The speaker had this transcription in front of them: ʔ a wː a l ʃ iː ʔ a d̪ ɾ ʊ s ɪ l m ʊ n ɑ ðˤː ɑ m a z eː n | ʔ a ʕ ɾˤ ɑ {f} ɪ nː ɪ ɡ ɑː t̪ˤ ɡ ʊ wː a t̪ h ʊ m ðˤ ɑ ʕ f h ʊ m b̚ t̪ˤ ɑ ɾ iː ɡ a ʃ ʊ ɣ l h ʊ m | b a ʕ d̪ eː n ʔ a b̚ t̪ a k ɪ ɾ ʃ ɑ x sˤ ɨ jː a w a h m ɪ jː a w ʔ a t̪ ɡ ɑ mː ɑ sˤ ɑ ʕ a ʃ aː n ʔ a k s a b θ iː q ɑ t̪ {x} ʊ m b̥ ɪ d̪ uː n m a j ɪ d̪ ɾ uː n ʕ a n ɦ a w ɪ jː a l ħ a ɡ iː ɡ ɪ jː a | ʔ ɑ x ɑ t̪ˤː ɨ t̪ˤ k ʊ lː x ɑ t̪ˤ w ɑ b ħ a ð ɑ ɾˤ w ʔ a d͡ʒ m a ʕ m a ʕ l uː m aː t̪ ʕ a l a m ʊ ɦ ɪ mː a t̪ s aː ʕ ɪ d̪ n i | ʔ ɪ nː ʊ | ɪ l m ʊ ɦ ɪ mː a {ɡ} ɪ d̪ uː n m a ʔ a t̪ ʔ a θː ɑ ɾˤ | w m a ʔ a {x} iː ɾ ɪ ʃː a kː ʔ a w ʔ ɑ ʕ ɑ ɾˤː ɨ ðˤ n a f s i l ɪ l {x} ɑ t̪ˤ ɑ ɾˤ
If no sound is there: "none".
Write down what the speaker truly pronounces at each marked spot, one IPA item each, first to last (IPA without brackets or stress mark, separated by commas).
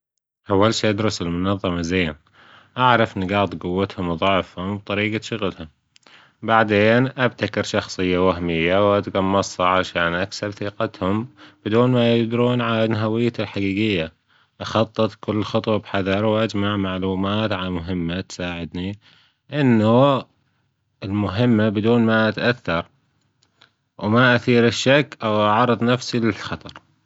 f, h, b, θ, x